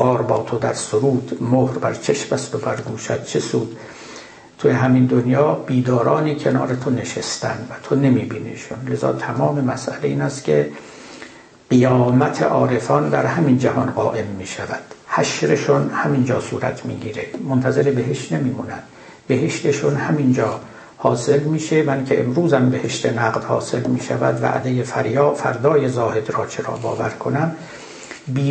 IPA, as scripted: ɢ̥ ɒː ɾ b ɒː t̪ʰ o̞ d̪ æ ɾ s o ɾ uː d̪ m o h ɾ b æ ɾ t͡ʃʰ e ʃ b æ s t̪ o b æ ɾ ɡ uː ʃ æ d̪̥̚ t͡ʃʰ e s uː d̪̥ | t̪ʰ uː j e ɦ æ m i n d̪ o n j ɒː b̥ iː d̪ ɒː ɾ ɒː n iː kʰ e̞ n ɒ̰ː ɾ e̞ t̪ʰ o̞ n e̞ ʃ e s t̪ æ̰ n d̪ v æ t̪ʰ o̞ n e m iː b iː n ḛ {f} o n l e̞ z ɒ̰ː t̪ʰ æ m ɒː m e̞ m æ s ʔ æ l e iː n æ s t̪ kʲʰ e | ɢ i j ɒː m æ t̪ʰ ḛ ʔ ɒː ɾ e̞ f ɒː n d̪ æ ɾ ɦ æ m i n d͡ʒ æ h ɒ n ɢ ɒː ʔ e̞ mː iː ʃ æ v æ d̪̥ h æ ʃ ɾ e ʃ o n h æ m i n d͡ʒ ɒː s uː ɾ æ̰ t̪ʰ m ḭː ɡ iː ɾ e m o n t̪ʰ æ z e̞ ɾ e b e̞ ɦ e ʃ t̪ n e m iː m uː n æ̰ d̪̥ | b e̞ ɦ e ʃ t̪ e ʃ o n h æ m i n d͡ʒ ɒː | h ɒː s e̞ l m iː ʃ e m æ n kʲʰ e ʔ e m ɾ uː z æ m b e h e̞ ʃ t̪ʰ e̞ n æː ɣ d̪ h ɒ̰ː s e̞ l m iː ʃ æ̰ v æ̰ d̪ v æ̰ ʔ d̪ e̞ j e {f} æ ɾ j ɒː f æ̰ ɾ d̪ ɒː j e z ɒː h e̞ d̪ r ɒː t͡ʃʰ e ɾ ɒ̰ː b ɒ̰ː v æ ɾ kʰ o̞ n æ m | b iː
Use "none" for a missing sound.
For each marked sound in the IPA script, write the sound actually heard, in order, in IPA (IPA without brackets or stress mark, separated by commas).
ʃ, f